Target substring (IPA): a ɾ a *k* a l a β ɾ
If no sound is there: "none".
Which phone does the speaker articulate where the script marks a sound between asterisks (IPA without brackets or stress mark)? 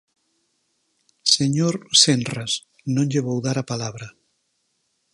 p